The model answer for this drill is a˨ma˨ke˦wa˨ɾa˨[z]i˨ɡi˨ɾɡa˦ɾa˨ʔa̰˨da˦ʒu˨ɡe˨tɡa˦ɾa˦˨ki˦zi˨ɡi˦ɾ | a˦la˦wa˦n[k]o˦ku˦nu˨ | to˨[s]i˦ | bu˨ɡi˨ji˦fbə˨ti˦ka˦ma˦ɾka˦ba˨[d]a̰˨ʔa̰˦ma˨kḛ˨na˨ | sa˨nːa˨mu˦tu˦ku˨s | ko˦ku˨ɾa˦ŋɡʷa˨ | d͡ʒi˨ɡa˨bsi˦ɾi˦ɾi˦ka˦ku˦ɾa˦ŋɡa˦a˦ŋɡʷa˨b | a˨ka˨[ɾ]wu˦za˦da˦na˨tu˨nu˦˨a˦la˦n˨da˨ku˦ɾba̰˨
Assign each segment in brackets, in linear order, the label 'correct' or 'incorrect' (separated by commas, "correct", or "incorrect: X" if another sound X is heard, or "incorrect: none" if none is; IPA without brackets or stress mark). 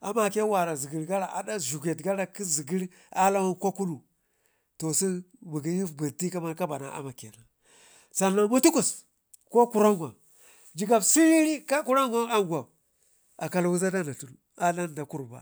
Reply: correct, correct, correct, incorrect: n, incorrect: l